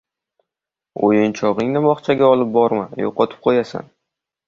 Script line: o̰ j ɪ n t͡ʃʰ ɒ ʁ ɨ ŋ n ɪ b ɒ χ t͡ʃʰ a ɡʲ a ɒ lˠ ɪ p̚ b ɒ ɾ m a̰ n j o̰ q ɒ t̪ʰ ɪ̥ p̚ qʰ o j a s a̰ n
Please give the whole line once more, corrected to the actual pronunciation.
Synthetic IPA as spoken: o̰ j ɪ n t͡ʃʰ ɒ ʁ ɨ ŋ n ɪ b ɒ χ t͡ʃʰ a ɡʲ a ɒ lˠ ɪ p̚ b ɒ ɾ m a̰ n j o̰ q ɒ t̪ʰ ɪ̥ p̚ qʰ o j a s a̰ n

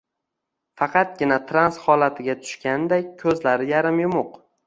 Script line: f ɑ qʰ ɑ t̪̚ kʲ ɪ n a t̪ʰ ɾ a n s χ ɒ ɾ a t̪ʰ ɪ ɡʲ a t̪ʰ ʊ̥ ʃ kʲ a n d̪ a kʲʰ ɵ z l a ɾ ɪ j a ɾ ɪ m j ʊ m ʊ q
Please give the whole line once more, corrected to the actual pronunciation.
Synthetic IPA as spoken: f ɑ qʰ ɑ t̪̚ ɡʲ ɪ n a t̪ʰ ɾ a n s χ ɒ l a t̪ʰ ɪ ɡʲ a t̪ʰ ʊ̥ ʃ kʲ a n d̪ a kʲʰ ɵ z l a ɾ ɪ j a ɾ ɪ m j ʊ m ʊ q

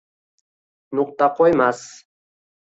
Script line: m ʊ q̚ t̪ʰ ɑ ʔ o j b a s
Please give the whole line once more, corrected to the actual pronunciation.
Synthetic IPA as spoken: n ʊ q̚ t̪ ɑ q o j m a s

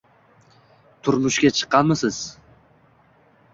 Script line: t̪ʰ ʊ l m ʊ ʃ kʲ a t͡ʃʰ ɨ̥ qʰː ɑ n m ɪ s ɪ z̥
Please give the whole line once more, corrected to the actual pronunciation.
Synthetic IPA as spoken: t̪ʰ ʊ ɾ m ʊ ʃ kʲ a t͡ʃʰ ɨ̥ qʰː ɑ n m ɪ s ɪ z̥

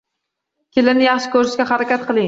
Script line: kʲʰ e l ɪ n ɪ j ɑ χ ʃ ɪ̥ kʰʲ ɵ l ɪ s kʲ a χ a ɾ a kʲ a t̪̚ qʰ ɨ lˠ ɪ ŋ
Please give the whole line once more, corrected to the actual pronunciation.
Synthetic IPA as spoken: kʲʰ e l ɪ n ɪ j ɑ χ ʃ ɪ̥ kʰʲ ɵ ɾ ɪ ʃ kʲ a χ a ɾ a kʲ a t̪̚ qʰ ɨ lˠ ɪ ŋ

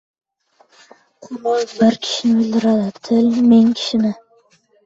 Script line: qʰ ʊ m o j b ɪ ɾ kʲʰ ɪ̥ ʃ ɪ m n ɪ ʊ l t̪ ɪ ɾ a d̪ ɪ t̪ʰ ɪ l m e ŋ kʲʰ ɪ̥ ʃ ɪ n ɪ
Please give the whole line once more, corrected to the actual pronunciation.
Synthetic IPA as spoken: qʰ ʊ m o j b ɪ ɾ kʲʰ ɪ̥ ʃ ɪ n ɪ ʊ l d̪ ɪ ɾ a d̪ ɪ t̪ʰ ɪ l m e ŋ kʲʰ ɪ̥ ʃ ɪ n ɪ

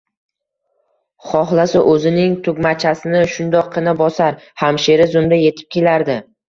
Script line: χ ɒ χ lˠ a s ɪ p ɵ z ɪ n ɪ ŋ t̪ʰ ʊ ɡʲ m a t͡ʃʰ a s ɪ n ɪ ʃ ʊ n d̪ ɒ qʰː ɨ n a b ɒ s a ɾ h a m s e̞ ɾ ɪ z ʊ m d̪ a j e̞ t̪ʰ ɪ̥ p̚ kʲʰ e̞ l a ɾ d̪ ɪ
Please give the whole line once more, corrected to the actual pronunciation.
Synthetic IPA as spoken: χ ɒ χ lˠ a s ɪ ʔ ɵ z ɪ n ɪ ŋ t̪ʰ ʊ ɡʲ m a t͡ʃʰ a s ɪ n ɪ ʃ ʊ n d̪ ɒ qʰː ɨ n a b ɒ s a ɾ h a m ʃ e̞ ɾ ɪ z ʊ m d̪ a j e̞ t̪ʰ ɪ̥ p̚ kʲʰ e̞ l a ɾ d̪ ɪ

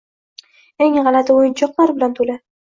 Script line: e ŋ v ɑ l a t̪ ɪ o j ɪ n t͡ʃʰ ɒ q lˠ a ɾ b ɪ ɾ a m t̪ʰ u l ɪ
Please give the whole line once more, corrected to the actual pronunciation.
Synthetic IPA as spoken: e ŋ ʁ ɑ l a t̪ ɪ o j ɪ n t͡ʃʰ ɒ q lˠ a ɾ b ɪ l a n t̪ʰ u l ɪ

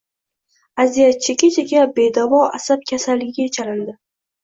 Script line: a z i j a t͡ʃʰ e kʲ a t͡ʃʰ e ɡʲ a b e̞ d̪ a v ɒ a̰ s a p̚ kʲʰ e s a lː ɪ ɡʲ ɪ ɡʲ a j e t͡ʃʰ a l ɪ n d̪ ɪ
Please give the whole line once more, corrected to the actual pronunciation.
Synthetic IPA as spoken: a z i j a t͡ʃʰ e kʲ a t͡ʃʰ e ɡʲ a b e̞ d̪ a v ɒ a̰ s a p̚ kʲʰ a s a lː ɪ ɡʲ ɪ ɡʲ a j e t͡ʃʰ a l ɪ n d̪ ɪ

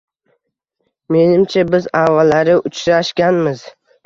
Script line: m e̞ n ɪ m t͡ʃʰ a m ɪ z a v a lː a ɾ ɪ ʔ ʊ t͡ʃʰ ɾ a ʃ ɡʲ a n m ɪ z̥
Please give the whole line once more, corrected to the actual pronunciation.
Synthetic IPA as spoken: m e̞ n ɪ m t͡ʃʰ a b ɪ z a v a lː a ɾ ɪ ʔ ʊ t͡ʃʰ ɾ a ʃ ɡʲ a n m ɪ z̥

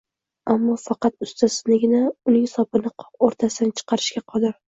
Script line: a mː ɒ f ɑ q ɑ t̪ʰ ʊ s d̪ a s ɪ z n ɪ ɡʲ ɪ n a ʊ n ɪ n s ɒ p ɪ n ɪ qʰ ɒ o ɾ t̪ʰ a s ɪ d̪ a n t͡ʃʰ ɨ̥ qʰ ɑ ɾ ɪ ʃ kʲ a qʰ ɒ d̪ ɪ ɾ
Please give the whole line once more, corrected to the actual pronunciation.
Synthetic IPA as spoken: a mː ɒ f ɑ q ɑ t̪ ʊ s t̪ a s ɪ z n ɪ ɡʲ ɪ n a ʊ n ɪ ŋ s ɒ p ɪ n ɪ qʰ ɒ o ɾ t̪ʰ a s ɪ d̪ a n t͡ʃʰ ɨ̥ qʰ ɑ ɾ ɪ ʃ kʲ a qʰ ɒ d̪ ɪ ɾ

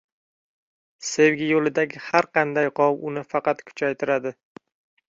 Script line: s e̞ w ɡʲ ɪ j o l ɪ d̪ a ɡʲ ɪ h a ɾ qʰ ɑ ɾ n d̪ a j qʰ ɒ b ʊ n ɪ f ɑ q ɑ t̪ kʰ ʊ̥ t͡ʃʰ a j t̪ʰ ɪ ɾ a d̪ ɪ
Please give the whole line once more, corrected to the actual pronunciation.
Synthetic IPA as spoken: s e̞ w ɡʲ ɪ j o l ɪ d̪ a ɡʲ ɪ h a ɾ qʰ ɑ n d̪ a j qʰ ɒ w ʊ n ɪ f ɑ q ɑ t̪ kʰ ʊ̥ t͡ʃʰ a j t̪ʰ ɪ ɾ a d̪ ɪ

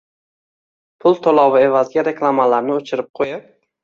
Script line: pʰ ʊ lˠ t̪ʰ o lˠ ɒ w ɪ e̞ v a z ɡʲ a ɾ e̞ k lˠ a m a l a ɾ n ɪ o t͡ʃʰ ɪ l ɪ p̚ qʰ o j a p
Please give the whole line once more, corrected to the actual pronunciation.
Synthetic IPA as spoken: pʰ ʊ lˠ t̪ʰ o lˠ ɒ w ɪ e̞ v a z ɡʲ a ɾ e̞ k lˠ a m a l a ɾ n ɪ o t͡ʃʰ ɪ ɾ ɪ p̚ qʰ o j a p

